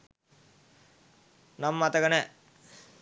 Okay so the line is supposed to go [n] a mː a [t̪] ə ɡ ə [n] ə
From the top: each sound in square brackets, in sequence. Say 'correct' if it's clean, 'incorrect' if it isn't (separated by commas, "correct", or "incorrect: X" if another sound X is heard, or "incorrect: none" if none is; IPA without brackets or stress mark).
correct, correct, correct